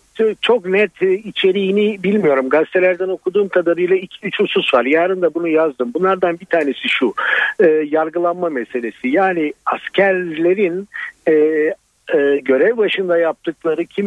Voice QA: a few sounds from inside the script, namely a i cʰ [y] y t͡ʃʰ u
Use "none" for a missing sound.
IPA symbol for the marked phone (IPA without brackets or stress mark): i